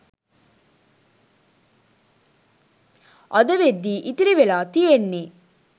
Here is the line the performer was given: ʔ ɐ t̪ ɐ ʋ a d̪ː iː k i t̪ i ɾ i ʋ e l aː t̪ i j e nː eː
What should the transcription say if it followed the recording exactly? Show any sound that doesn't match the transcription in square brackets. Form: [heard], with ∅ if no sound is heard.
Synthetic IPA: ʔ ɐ [d̪] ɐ ʋ [e] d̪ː iː [ʔ] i t̪ i ɾ i ʋ e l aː t̪ i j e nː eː